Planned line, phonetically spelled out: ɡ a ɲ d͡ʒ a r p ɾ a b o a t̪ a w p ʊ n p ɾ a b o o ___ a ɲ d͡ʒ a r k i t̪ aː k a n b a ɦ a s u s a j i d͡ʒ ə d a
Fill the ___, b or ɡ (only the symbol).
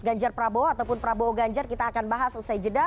ɡ